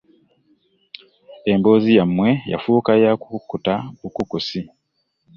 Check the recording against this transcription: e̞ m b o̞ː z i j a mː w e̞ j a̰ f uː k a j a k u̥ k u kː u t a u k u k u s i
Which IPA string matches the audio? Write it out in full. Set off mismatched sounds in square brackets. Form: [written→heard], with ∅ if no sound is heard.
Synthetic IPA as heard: e̞ m b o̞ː z i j a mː w e̞ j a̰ f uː k a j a k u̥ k u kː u t a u k u k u s i